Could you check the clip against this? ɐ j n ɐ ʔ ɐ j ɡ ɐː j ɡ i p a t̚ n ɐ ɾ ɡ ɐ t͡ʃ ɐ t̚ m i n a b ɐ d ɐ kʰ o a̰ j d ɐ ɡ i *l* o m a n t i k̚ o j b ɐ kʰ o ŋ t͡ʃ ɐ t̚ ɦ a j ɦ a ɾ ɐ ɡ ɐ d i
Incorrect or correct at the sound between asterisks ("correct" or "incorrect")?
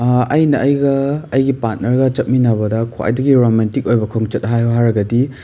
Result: incorrect